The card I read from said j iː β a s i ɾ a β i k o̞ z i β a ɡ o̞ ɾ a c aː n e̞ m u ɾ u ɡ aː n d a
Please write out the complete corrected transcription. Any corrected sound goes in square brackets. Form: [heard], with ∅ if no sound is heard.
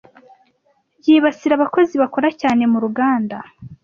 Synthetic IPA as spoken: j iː β a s i ɾ a β [a] k o̞ z i β a [k] o̞ ɾ a c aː n e̞ m u ɾ u ɡ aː n d a